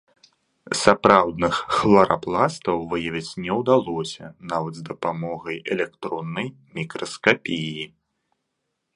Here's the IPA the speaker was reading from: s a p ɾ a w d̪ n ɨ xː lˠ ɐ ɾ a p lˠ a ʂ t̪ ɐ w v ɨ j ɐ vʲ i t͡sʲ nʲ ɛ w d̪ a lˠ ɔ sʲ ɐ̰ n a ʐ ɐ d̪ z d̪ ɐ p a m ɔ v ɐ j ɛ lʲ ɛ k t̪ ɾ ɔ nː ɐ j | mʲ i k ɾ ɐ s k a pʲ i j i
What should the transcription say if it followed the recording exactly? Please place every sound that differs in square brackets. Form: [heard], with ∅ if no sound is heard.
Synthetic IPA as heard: s a p ɾ a w d̪ n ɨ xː lˠ ɐ ɾ a p lˠ a [s] t̪ ɐ w v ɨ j ɐ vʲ i t͡sʲ nʲ ɛ w d̪ a lˠ ɔ sʲ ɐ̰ n a [v] ɐ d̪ z d̪ ɐ p a m ɔ [ɣ] ɐ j ɛ lʲ ɛ k t̪ ɾ ɔ nː ɐ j | mʲ i k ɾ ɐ s k a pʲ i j i